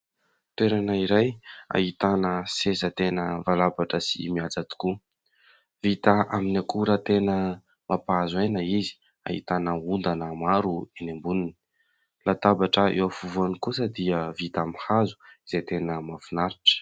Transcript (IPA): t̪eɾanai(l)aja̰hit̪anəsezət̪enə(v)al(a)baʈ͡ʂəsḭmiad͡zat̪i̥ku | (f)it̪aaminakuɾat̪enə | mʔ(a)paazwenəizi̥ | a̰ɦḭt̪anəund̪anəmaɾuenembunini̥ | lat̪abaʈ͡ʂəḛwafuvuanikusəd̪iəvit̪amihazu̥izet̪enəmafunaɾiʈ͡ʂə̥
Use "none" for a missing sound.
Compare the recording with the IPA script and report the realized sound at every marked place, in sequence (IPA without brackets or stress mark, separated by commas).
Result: ɾ, v, a, v, a